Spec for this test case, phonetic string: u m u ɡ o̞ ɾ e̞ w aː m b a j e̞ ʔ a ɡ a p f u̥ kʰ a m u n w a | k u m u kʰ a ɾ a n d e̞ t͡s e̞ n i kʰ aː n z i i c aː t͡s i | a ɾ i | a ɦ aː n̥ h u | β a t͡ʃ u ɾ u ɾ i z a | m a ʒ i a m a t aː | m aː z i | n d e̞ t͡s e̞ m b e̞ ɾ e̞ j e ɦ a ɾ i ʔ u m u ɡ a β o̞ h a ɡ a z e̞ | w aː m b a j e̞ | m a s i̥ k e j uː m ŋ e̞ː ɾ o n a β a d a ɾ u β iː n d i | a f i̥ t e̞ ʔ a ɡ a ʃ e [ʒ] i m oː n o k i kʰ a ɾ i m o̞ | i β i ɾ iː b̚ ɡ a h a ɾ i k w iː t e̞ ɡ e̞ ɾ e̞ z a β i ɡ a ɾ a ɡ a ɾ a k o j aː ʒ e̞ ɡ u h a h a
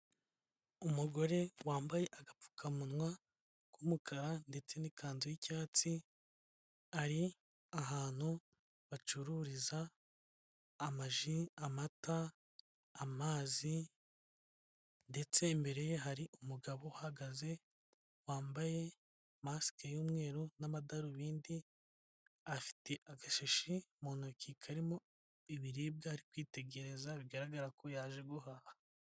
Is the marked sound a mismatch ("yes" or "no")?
yes